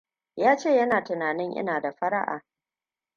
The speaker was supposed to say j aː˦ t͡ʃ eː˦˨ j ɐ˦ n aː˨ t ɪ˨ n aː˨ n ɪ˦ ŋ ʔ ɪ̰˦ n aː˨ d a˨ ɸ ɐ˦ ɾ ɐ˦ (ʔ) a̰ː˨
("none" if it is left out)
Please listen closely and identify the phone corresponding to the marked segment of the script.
ʔ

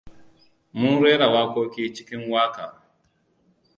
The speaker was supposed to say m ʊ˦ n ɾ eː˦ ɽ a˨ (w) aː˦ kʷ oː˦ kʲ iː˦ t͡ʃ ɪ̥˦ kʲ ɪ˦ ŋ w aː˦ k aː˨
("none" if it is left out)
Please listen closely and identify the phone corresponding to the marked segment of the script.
w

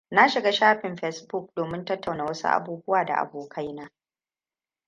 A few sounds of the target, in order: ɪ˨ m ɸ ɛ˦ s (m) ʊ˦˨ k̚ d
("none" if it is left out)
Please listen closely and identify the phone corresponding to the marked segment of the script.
b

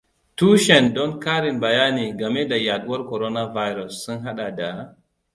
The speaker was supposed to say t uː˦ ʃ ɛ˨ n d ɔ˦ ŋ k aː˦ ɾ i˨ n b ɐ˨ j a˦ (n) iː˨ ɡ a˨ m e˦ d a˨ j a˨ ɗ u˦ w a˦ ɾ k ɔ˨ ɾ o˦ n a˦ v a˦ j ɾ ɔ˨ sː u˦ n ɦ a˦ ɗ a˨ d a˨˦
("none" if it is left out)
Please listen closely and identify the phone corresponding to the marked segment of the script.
n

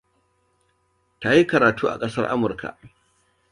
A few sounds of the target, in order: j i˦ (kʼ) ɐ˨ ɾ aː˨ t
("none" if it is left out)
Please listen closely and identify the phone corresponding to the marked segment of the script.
k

